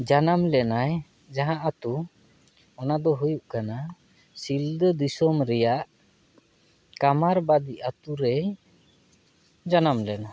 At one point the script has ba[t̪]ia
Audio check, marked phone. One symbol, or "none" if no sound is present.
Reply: d̪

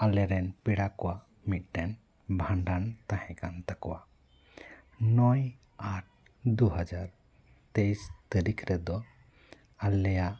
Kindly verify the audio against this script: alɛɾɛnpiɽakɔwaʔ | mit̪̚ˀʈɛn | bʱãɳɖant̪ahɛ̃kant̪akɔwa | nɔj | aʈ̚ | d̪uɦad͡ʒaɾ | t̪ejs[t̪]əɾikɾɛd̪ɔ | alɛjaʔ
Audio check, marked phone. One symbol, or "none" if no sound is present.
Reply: t̪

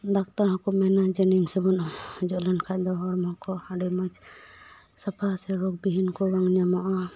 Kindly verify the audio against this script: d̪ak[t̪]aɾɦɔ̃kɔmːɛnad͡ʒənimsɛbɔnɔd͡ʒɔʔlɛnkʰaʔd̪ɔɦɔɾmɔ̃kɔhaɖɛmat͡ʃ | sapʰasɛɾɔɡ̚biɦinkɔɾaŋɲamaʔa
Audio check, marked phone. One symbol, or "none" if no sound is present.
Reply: t̪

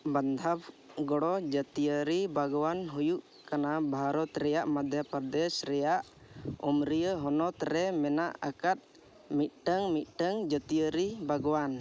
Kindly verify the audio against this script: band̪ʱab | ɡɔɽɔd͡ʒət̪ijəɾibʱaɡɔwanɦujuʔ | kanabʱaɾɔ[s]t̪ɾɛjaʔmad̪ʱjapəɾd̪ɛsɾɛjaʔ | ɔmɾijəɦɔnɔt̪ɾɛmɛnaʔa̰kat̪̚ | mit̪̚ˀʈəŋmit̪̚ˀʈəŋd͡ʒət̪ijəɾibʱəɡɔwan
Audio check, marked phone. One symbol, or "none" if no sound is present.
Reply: none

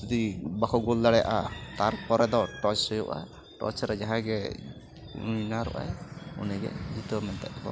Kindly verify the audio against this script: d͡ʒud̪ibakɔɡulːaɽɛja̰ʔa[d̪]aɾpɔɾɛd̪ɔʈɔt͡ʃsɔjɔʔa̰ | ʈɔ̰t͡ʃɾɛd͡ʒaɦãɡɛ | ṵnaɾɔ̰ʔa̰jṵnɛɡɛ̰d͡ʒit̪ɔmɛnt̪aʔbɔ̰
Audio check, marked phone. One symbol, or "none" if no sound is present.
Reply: t̪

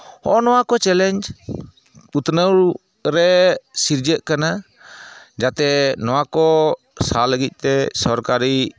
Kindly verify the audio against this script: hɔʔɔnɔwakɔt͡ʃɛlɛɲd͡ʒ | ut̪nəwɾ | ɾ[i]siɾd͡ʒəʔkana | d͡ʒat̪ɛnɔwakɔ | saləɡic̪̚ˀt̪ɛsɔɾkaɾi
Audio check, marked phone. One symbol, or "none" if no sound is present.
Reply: ɛ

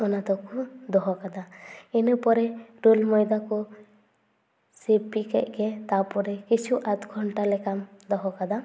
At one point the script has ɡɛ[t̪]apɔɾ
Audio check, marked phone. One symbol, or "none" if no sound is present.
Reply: t̪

